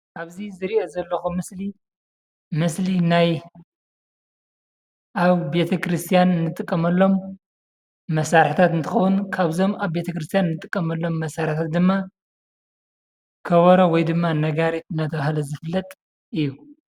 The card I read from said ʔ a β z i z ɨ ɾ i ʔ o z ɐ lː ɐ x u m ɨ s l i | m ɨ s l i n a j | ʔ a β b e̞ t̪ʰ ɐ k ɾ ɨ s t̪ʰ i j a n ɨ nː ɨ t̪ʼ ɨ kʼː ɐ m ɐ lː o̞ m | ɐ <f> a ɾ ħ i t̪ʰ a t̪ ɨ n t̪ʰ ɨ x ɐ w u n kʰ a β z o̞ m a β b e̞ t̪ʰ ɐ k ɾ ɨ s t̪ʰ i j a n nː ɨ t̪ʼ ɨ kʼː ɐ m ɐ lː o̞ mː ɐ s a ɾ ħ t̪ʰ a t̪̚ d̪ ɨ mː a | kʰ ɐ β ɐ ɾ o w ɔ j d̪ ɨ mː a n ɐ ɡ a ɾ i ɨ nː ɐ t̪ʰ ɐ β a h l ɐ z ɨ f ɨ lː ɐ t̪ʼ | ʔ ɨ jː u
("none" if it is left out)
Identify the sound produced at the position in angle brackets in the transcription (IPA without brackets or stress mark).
s